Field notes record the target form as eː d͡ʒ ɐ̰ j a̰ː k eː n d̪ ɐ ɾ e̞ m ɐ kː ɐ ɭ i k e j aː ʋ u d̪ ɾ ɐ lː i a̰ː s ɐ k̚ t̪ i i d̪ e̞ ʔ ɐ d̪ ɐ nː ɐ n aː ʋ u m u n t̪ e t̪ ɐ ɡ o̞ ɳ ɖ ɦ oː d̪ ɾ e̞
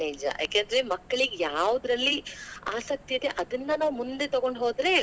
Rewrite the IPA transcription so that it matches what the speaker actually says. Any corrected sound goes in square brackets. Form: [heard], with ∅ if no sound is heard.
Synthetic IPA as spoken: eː d͡ʒ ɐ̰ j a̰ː k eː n d̪ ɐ ɾ e̞ m ɐ kː ɐ ɭ i [ɡ] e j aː ʋ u d̪ ɾ ɐ lː i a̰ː s ɐ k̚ t̪ i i d̪ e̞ ʔ ɐ d̪ ɐ nː ɐ n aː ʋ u m u n [d̪] e t̪ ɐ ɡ o̞ ɳ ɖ ɦ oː d̪ ɾ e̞